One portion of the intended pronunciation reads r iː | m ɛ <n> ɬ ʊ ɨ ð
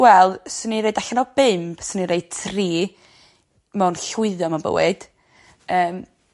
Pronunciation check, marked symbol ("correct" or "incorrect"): correct